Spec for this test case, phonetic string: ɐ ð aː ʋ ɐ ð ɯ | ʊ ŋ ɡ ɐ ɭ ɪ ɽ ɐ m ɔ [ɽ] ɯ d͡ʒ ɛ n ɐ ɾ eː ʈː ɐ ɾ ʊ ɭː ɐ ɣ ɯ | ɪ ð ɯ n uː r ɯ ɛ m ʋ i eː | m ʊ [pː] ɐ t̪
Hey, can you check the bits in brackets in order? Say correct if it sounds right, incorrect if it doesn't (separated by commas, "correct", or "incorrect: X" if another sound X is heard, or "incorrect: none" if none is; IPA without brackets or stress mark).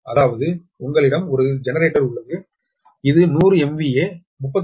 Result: incorrect: ɾ, correct